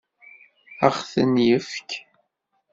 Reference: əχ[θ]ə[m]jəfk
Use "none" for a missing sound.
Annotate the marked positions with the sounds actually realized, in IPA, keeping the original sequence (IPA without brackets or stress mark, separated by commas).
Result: θ, n